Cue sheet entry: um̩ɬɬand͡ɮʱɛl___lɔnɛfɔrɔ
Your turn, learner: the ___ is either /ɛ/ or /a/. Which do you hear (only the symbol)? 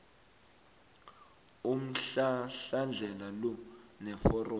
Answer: a